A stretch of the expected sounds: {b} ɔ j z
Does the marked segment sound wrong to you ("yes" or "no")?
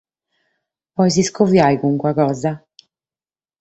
yes